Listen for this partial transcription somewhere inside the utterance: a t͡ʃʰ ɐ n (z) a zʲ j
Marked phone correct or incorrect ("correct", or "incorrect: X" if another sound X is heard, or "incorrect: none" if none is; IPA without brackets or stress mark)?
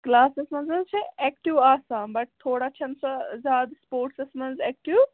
incorrect: s